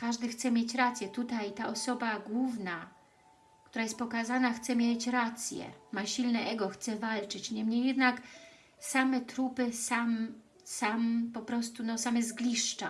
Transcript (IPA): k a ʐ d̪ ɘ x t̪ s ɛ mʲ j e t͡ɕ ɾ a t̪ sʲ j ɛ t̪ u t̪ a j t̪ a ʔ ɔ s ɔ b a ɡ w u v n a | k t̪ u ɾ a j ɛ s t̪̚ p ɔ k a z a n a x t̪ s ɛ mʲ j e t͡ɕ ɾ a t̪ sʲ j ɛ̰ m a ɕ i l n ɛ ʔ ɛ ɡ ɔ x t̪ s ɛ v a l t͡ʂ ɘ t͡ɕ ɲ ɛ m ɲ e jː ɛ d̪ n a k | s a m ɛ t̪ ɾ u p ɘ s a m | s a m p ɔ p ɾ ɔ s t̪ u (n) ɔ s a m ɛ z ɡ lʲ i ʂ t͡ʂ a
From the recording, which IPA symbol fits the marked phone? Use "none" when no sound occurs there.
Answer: n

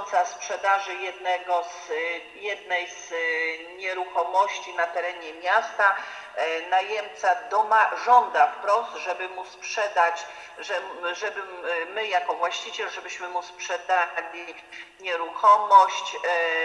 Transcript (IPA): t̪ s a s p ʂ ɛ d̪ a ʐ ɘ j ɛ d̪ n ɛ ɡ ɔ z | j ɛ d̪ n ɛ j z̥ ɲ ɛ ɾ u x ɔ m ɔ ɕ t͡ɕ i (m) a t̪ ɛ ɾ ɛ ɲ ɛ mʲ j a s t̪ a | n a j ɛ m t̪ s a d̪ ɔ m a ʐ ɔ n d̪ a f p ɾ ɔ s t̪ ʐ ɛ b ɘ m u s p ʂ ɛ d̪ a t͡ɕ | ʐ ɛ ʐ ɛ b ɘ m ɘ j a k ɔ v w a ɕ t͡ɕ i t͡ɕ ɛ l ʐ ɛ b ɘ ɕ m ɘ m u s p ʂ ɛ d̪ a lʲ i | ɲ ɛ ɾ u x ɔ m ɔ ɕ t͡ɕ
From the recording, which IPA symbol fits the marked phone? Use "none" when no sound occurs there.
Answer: n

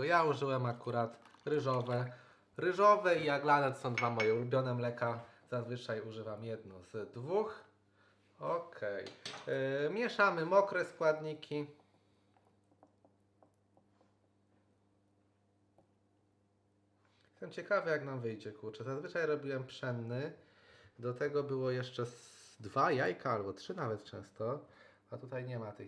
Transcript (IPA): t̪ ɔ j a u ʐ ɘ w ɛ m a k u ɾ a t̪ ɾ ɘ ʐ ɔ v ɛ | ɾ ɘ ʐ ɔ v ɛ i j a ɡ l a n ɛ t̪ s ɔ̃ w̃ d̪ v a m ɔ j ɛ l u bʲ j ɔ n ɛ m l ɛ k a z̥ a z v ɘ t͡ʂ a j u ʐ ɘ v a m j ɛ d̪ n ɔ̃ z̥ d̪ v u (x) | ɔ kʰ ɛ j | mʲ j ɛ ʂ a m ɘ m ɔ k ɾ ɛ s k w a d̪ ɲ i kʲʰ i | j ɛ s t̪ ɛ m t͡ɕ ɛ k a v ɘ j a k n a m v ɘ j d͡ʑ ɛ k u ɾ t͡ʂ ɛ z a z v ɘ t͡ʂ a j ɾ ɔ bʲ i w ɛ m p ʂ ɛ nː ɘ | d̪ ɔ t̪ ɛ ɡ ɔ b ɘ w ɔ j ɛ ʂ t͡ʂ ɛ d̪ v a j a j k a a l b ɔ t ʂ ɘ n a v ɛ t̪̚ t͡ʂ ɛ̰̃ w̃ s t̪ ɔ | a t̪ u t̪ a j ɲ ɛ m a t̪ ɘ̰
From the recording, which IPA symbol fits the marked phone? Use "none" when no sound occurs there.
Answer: x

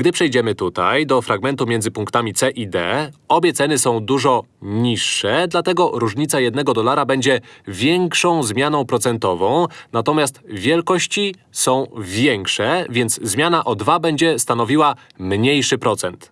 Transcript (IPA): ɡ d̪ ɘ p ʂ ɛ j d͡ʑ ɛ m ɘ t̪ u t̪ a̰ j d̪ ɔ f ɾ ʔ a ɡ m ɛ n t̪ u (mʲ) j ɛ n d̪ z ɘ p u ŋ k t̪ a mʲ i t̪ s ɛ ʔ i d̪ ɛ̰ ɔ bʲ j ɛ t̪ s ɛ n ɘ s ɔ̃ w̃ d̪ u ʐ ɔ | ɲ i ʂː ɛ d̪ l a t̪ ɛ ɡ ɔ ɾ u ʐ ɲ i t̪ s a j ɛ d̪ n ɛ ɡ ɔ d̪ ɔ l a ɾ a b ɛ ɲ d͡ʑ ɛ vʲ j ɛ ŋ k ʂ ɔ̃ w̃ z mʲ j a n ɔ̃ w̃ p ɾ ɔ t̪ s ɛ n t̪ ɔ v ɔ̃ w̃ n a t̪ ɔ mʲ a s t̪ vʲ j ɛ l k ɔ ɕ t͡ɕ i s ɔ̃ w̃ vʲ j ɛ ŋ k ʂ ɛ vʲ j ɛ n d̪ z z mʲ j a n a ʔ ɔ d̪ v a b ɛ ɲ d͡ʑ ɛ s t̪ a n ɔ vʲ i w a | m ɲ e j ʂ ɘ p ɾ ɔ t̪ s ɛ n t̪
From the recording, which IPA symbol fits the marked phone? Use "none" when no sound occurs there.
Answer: mʲ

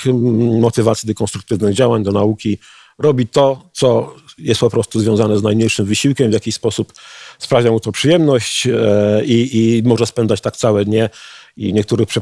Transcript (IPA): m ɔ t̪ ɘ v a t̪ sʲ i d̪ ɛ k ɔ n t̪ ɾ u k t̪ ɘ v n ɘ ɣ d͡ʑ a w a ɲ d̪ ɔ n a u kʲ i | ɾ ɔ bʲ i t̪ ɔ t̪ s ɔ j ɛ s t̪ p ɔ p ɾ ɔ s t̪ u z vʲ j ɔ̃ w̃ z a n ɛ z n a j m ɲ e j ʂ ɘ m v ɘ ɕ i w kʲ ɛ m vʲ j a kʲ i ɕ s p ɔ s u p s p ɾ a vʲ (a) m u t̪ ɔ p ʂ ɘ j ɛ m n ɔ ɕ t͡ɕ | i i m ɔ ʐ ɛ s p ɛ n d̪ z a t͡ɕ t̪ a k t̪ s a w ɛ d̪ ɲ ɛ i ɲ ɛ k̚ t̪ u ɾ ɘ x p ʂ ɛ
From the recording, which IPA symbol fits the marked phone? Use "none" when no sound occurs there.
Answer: a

